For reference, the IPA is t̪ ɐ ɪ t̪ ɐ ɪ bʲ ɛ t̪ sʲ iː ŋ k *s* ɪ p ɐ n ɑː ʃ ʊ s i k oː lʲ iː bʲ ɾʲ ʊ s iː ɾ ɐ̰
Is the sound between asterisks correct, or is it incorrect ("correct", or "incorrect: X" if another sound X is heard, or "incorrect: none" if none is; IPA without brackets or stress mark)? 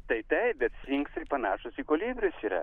correct